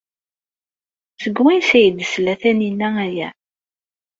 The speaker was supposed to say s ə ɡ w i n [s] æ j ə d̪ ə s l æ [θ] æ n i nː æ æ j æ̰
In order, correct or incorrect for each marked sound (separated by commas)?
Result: correct, correct